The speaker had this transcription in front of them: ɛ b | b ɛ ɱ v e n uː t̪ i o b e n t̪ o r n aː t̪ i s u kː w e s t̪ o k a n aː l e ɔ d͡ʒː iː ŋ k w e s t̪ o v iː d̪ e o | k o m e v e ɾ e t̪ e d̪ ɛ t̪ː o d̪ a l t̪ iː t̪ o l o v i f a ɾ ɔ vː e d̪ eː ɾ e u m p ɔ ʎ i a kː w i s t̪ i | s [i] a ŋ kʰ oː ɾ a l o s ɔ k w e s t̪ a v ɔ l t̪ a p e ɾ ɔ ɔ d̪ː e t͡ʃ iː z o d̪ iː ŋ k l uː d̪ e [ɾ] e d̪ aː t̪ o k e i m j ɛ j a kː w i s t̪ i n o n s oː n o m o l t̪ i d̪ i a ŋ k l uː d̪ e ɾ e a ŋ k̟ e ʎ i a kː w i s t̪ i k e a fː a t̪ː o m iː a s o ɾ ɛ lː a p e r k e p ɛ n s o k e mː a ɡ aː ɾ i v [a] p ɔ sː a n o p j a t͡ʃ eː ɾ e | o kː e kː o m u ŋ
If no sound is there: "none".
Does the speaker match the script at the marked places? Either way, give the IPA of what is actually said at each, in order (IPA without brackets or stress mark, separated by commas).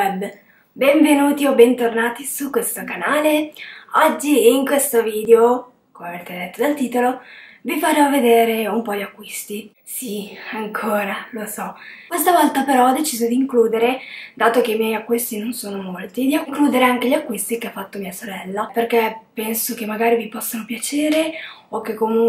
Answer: i, ɾ, i